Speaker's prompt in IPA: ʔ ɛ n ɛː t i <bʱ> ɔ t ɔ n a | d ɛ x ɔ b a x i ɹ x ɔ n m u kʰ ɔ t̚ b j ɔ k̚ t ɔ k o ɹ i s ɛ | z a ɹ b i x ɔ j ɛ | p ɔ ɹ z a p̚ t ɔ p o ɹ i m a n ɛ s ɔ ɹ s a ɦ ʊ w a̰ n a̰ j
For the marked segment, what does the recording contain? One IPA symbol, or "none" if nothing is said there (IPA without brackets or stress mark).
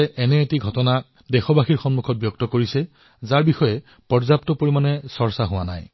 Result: ɡʱ